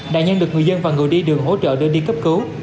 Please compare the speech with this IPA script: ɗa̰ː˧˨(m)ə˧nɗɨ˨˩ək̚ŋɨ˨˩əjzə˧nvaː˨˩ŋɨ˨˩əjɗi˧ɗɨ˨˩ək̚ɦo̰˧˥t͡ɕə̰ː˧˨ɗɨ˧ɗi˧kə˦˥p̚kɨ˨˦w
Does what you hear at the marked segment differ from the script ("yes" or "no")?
yes